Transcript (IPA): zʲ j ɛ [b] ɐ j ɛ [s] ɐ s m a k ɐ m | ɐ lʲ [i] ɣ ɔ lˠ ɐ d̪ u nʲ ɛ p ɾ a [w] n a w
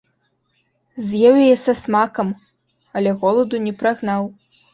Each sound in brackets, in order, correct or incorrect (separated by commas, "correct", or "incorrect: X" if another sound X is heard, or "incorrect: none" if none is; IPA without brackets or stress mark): incorrect: w, correct, incorrect: ɛ, incorrect: ɣ